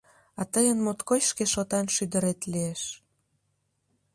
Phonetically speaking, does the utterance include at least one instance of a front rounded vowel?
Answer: yes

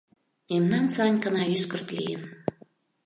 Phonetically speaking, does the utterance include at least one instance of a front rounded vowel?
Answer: yes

